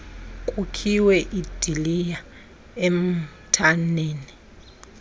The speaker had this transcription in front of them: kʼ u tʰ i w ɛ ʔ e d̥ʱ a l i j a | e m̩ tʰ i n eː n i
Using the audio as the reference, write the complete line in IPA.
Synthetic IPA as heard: kʼ u kʰ i w ɛ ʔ i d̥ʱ i l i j a | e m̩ tʰ a n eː n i